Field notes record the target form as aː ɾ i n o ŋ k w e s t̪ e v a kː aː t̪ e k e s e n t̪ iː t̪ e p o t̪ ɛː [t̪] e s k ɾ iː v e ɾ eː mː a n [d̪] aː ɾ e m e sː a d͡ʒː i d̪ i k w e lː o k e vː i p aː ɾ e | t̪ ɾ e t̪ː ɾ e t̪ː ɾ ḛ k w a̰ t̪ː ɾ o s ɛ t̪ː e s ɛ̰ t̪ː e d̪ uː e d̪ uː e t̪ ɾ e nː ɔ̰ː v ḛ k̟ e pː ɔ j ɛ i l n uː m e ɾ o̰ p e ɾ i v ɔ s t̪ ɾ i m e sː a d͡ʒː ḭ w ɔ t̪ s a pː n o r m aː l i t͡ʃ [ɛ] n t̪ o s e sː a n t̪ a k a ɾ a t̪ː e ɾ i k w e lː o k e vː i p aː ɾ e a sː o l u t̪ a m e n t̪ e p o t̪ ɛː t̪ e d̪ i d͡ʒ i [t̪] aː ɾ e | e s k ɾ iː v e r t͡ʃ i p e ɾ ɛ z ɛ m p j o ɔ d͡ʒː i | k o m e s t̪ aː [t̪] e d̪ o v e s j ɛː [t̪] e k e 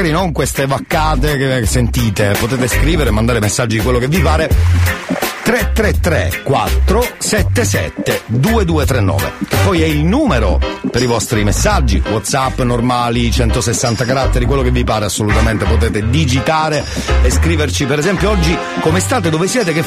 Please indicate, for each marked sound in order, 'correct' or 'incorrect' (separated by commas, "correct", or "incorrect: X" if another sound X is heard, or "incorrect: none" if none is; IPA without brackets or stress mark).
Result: correct, correct, correct, correct, correct, correct